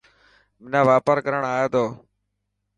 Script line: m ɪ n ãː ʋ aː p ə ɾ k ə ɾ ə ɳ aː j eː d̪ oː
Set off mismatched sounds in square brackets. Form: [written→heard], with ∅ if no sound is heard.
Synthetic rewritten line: m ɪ n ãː ʋ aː p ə ɾ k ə ɾ ə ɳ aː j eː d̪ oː